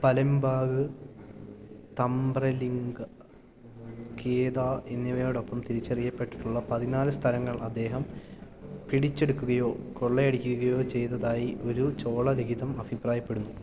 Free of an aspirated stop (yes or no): no